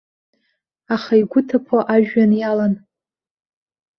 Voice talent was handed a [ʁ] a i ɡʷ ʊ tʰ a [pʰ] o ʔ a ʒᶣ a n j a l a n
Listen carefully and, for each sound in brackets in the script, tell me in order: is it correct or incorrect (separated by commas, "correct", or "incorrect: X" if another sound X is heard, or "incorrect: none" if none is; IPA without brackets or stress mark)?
incorrect: χ, correct